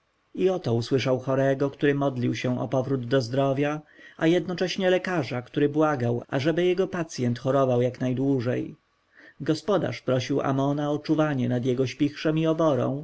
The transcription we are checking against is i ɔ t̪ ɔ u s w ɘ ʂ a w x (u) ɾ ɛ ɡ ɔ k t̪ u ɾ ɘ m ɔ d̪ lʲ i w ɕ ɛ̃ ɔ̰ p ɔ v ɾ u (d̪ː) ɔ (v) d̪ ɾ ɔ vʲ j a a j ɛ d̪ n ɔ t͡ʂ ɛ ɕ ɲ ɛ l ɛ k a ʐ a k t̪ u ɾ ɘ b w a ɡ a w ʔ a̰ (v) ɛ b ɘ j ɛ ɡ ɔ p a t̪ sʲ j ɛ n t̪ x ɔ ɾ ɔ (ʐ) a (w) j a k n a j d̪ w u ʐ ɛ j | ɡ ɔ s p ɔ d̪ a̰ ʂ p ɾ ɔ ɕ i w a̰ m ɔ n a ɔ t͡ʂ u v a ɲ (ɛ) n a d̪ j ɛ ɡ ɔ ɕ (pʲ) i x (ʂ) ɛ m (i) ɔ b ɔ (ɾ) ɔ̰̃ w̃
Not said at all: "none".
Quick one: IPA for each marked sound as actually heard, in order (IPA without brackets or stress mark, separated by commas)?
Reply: ɔ, d̪ː, z, ʐ, v, w, ɛ, pʲ, ʂ, i, ɾ